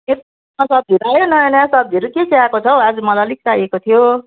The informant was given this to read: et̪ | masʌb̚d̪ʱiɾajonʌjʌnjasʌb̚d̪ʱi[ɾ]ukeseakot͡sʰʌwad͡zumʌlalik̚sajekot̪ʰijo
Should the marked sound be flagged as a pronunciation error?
no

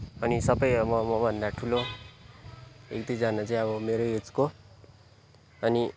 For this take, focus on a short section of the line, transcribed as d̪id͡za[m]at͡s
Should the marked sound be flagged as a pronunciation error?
yes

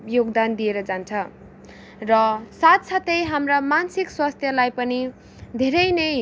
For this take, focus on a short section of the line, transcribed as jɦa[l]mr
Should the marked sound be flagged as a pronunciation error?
yes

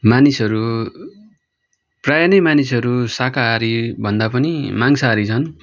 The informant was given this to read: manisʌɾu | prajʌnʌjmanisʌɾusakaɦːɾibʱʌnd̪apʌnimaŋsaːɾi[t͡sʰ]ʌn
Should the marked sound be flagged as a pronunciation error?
no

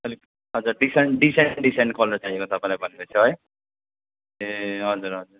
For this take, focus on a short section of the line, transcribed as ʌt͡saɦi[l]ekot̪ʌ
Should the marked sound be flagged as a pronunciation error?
yes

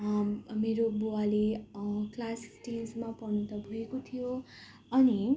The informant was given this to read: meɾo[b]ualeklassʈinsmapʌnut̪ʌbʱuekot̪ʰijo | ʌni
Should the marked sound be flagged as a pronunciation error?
no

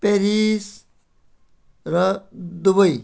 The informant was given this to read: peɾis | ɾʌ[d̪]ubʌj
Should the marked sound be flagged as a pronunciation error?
no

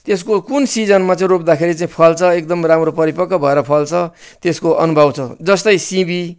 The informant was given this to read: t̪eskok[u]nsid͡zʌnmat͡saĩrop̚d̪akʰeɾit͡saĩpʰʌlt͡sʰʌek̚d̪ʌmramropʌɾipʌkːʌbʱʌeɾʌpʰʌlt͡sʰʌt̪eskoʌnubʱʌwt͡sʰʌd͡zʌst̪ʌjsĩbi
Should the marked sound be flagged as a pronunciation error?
no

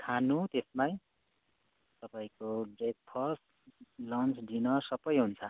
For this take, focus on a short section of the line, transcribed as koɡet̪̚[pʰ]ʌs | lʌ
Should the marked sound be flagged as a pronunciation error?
no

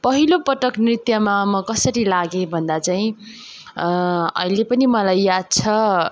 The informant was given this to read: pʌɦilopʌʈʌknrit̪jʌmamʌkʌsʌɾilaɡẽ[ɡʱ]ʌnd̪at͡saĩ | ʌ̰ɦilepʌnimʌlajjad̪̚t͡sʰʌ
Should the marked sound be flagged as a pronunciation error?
yes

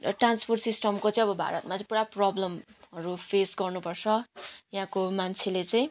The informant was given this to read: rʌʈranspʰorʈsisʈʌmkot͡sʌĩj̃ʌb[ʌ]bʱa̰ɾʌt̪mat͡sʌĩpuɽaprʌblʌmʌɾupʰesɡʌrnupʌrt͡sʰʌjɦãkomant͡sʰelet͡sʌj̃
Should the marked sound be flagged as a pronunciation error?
no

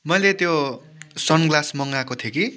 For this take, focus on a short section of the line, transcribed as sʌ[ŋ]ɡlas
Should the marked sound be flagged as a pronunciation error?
yes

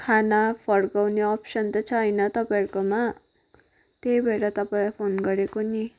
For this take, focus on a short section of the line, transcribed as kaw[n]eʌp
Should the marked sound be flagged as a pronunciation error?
no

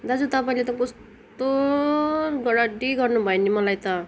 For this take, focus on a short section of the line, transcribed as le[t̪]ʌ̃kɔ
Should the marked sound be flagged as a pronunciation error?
no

